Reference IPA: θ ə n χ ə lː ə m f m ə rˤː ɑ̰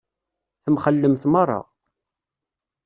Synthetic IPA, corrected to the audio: θ ə m χ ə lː ə m θ m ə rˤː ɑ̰